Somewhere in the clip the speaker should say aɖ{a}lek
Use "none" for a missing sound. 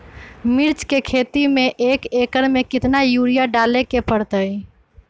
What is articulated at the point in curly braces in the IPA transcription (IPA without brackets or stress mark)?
a